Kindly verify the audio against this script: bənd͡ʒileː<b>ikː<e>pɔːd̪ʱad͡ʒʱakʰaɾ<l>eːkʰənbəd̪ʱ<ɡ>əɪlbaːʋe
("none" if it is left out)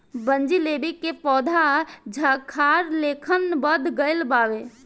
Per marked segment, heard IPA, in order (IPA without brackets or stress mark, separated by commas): b, e, l, ɡ